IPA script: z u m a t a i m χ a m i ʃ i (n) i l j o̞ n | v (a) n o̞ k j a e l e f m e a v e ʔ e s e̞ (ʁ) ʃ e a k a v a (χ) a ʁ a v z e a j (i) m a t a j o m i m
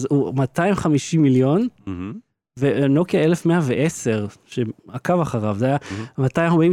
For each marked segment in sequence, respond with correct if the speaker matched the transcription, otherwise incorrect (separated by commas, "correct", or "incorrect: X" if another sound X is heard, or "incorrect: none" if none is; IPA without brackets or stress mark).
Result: incorrect: m, incorrect: e, correct, correct, incorrect: a